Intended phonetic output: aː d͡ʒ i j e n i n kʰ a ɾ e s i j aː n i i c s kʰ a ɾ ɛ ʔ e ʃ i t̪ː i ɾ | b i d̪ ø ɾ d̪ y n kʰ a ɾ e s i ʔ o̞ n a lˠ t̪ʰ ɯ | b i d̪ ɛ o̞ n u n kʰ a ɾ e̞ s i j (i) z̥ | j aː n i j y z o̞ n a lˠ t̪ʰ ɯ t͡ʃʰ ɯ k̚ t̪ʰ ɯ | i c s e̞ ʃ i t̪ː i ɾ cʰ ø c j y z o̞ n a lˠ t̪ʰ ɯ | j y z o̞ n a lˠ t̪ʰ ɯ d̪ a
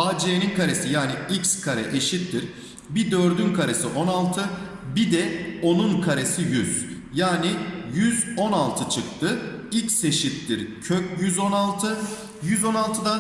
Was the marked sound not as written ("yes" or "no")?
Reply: yes